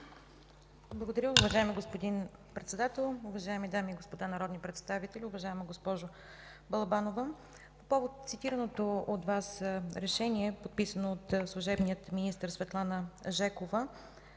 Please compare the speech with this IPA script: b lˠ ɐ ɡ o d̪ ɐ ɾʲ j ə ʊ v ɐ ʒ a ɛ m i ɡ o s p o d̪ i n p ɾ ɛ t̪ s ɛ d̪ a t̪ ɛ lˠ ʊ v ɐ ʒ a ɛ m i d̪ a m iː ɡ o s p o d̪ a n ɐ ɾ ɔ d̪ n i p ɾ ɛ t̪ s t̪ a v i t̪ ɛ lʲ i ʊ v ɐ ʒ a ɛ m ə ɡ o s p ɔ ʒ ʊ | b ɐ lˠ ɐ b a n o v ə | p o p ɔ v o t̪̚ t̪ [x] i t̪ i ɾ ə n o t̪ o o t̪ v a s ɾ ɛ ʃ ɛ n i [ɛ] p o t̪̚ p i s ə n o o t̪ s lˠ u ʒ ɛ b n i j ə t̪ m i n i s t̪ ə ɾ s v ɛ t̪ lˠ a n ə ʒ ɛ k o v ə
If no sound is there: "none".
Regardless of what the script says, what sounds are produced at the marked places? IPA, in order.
s, ɛ

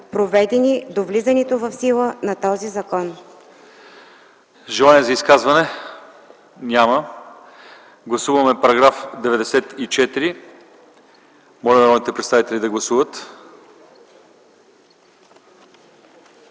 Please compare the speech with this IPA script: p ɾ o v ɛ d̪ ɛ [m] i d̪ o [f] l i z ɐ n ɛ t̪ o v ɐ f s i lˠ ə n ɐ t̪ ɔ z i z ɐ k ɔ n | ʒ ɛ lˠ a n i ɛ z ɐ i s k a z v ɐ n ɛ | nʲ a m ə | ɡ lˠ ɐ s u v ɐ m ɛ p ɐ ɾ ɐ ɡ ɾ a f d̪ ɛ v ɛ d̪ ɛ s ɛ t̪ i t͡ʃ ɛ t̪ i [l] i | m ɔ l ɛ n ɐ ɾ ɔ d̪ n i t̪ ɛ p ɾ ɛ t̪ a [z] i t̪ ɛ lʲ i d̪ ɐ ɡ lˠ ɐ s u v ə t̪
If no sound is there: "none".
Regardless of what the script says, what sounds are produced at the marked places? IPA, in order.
n, v, ɾ, v

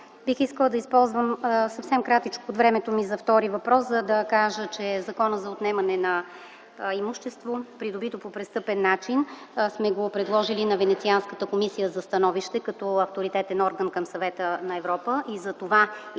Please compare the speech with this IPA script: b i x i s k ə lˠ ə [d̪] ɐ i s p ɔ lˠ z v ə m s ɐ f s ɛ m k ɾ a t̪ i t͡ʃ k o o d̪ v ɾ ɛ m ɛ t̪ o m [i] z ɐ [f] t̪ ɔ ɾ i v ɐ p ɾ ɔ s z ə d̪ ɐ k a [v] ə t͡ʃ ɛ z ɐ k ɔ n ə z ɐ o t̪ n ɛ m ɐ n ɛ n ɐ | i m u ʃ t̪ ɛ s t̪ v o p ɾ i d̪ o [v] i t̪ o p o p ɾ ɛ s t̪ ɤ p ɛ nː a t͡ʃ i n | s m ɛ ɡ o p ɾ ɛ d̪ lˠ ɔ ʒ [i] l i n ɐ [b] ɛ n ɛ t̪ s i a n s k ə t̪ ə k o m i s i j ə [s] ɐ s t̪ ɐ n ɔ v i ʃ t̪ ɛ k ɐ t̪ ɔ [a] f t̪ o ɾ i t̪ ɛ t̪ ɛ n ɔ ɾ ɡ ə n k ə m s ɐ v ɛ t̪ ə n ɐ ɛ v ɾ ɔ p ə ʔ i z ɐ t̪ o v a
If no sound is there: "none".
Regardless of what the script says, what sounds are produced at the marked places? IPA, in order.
d̪, i, f, ʒ, b, i, v, z, ɐ

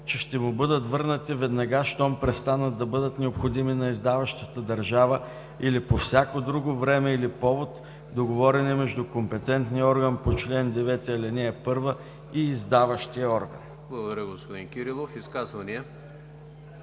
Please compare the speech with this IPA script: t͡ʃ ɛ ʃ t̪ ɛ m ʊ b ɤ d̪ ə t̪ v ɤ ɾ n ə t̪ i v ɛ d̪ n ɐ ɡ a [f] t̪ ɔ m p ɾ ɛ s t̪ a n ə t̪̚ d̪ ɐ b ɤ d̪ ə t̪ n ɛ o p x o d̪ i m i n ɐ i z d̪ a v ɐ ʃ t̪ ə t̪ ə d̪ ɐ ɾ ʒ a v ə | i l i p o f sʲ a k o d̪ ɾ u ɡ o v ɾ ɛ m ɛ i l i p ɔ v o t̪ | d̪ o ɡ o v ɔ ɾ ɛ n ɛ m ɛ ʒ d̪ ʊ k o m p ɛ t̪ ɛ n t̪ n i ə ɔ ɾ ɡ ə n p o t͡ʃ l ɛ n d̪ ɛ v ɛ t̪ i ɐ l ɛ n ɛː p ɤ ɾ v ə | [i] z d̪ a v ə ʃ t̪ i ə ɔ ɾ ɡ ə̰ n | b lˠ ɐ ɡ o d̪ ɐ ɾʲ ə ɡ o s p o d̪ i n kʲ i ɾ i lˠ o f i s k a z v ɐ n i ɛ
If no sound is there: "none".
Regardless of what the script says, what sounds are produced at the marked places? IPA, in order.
ʃ, iː

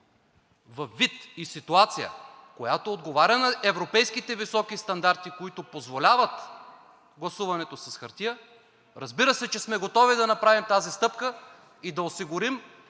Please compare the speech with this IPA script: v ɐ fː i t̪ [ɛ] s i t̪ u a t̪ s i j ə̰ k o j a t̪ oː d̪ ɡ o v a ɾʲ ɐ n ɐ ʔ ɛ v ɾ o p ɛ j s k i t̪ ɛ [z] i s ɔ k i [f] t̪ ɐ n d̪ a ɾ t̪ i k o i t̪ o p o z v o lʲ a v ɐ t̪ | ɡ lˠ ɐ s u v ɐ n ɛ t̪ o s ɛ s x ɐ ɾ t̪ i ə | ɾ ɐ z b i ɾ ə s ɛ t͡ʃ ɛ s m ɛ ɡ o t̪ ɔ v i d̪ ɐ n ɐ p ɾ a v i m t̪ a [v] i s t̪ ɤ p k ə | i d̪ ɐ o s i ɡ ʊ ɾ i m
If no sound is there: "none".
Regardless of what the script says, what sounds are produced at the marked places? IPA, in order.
i, v, s, z

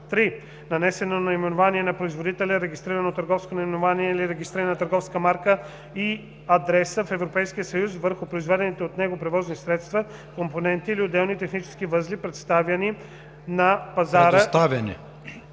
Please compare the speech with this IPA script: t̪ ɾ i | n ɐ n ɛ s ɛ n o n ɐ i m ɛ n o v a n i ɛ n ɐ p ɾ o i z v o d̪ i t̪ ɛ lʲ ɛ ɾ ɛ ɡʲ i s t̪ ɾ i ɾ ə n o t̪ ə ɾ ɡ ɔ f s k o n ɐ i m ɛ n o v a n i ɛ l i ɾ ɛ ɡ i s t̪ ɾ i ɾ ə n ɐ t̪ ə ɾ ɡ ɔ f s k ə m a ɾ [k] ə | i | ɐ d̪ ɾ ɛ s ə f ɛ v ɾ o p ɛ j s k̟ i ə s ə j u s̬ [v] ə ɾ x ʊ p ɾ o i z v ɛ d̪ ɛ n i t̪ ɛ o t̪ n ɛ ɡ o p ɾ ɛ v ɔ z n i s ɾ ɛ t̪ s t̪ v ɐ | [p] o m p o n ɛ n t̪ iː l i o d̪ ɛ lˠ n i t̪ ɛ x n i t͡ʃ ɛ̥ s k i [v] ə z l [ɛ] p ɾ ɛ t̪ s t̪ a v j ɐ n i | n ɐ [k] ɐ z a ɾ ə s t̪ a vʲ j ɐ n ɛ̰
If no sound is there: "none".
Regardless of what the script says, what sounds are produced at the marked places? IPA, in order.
k, v, k, v, i, p

